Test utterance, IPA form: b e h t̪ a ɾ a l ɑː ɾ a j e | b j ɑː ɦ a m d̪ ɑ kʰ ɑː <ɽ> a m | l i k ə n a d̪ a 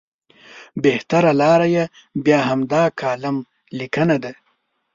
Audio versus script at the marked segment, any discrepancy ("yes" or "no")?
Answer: yes